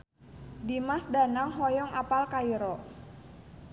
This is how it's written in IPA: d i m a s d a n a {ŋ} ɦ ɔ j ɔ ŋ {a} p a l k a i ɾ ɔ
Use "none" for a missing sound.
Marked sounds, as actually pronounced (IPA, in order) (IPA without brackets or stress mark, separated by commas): ŋ, a